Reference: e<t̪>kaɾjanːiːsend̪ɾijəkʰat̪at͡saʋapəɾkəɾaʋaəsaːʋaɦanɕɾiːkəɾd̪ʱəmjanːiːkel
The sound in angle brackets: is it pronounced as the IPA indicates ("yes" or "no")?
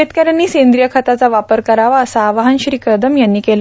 yes